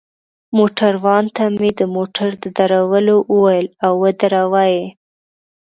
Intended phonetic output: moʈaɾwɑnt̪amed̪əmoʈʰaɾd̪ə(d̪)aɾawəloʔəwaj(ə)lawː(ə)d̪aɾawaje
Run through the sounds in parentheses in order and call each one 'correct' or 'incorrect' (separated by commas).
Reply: correct, correct, correct